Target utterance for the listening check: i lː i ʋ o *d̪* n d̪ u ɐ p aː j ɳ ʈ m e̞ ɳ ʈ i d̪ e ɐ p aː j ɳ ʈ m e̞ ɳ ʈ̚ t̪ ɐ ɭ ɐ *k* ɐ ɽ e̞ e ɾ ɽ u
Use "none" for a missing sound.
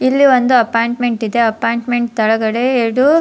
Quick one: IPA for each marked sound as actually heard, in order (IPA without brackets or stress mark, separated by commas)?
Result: none, ɡ